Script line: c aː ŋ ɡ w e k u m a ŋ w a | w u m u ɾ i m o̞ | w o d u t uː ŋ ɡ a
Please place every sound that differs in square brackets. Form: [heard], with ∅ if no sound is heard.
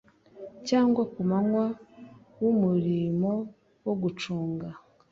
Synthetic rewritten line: c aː ŋ ɡ w [a] k u m a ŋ w a | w u m u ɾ i m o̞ | w o [ɡ] u [t͡ʃ] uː ŋ ɡ a